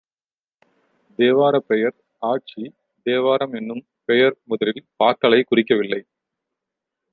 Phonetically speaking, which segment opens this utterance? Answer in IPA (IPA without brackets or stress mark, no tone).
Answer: d̪